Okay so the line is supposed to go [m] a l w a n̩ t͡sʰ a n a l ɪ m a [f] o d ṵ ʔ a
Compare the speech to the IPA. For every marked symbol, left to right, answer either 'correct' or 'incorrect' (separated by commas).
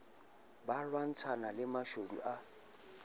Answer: incorrect, incorrect